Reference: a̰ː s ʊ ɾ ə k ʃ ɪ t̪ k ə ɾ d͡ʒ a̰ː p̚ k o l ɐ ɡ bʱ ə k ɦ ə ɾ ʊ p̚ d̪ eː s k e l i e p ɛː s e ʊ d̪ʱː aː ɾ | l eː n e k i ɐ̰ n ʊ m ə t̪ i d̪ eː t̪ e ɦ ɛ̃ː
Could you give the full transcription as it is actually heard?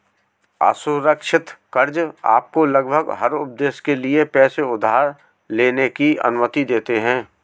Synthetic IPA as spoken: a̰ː s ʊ ɾ ə k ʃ ɪ t̪ k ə ɾ d͡ʒ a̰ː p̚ k o l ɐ ɡ bʱ ə ɡ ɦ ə ɾ ʊ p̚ d̪ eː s k e l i e p ɛː s e ʊ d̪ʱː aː ɾ | l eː n e k i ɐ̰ n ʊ m ə t̪ i d̪ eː t̪ e ɦ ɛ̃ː